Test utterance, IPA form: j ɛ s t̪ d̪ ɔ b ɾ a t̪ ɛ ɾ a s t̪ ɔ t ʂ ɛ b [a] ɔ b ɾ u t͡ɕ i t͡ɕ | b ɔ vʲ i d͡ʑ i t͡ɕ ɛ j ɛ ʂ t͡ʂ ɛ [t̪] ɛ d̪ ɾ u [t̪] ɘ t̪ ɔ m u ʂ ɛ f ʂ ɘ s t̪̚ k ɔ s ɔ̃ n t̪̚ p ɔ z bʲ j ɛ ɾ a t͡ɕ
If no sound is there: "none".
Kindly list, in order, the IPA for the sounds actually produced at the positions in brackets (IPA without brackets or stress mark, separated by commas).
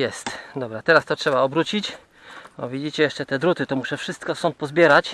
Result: a, t̪, t̪